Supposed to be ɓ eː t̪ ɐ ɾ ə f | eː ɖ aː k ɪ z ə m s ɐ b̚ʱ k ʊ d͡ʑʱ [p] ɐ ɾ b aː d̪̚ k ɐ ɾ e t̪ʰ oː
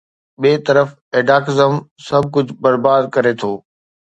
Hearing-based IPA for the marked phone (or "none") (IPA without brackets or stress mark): b